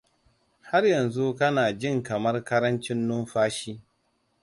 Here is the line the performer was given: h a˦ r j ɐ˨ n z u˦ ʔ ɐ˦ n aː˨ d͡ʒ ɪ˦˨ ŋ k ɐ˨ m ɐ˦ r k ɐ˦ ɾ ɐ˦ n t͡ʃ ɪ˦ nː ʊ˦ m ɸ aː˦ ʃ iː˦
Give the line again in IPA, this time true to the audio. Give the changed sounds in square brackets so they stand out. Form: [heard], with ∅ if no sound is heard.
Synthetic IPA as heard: h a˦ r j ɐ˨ n z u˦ [k] ɐ˦ n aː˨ d͡ʒ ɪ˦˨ ŋ k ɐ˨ m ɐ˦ r k ɐ˦ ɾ ɐ˦ n t͡ʃ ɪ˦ nː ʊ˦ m ɸ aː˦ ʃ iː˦